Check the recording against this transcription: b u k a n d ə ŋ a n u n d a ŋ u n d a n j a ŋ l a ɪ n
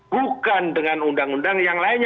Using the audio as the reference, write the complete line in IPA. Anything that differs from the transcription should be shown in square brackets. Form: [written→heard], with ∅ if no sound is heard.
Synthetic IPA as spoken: b u k a n d ə ŋ a n u n d a ŋ u n d a [n→ŋ] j a ŋ l a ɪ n